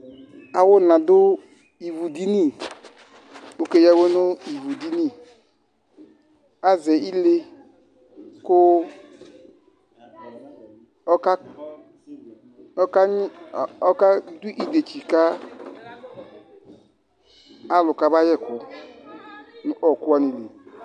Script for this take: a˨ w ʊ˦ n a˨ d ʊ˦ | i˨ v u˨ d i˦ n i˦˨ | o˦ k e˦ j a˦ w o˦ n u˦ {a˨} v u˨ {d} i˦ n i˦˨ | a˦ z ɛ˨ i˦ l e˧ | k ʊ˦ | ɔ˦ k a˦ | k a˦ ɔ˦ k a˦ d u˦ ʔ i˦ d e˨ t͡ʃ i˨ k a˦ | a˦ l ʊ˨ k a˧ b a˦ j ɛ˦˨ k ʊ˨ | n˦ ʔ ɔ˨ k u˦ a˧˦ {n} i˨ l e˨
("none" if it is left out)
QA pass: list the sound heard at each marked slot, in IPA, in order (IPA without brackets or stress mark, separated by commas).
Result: i˨, d, n